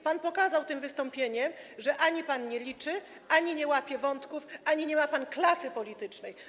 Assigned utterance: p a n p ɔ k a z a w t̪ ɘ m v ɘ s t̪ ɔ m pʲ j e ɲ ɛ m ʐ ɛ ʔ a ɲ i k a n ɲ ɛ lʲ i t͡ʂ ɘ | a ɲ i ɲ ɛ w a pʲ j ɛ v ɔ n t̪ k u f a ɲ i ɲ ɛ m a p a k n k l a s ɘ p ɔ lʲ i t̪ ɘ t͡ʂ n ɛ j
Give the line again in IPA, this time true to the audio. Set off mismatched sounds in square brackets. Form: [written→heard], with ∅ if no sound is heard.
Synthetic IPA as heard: p a n p ɔ k a z a w t̪ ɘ m v ɘ s t̪ ɔ m pʲ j e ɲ ɛ m ʐ ɛ ʔ a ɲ i [k→p] a n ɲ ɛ lʲ i t͡ʂ ɘ | a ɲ i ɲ ɛ w a pʲ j ɛ v ɔ n t̪ k u f a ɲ i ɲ ɛ m a p a [k→∅] n k l a s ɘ p ɔ lʲ i t̪ ɘ t͡ʂ n ɛ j